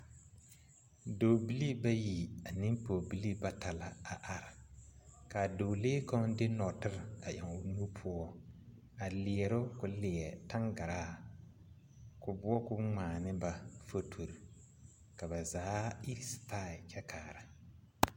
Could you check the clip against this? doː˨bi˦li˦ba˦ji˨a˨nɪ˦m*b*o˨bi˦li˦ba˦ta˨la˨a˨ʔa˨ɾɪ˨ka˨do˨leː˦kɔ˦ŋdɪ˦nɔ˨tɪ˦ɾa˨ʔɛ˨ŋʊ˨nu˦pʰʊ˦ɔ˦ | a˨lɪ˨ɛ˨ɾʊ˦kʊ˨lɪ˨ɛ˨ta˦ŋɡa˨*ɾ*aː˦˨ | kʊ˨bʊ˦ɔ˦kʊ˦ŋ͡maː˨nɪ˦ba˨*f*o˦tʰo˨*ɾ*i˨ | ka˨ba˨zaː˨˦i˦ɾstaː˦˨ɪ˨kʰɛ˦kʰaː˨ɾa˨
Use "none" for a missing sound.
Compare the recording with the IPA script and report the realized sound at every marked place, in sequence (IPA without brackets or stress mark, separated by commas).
p, ɾ, f, ɾ